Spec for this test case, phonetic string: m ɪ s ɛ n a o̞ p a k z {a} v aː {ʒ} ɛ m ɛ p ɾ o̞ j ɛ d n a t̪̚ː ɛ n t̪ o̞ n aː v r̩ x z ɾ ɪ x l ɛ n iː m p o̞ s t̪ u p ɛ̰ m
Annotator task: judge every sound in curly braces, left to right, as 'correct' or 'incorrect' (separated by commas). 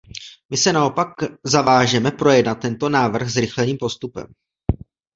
correct, correct